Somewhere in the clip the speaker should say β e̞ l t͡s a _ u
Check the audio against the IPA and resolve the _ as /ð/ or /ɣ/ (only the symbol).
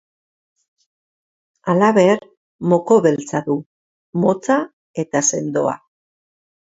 ð